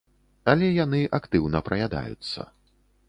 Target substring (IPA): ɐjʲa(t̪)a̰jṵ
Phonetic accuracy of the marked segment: incorrect: d̪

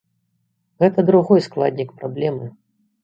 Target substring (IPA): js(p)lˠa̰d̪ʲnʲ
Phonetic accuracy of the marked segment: incorrect: k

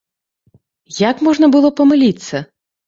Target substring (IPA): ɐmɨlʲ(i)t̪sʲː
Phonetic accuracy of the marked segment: correct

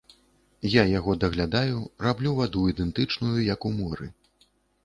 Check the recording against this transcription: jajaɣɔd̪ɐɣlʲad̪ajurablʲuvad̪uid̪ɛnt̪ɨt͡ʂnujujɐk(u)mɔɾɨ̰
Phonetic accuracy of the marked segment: correct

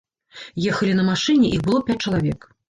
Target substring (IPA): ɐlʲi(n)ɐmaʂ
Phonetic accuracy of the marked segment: correct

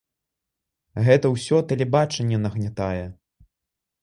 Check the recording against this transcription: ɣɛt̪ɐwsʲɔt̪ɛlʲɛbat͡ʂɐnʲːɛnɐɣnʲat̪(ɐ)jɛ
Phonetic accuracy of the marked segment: incorrect: a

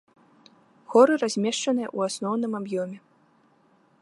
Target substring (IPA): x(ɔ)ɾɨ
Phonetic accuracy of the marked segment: correct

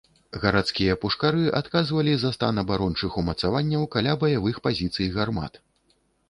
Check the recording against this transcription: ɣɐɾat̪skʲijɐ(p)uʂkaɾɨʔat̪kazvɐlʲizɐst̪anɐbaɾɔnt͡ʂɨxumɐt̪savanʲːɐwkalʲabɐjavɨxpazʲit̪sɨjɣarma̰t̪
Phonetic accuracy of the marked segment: correct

